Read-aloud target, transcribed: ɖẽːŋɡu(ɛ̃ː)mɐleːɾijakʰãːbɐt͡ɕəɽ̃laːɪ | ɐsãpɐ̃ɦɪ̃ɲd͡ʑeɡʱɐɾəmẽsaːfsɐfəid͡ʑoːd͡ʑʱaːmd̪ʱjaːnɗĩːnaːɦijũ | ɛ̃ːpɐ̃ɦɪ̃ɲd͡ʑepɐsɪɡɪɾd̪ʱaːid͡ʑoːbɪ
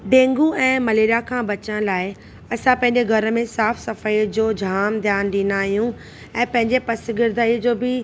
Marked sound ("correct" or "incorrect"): correct